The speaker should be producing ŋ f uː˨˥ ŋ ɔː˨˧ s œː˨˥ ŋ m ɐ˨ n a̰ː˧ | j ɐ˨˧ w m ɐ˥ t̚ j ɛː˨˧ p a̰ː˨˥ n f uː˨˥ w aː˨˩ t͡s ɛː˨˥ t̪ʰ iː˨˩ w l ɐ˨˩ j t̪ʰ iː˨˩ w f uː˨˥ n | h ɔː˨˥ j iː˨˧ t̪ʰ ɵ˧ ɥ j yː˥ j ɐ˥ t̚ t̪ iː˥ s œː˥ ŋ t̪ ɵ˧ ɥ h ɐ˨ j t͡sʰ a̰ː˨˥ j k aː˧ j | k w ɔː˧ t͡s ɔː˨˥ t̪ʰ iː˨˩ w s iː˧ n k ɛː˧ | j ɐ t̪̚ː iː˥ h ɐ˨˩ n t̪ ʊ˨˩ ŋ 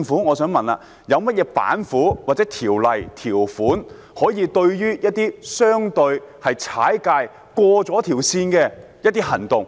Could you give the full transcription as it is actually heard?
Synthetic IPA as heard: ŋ f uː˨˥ ŋ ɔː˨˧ s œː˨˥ ŋ m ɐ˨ n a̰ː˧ | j ɐ˨˧ w m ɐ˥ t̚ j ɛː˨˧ p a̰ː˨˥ n f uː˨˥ w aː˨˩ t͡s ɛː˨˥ t̪ʰ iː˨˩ w l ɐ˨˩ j t̪ʰ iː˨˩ w f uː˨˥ n | h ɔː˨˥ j iː˨˧ t̪ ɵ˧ ɥ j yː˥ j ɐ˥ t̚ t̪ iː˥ s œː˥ ŋ t̪ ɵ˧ ɥ h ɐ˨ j t͡sʰ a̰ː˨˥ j k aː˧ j | k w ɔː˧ t͡s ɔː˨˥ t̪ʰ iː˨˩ w s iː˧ n k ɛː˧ | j ɐ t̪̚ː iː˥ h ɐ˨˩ n t̪ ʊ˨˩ ŋ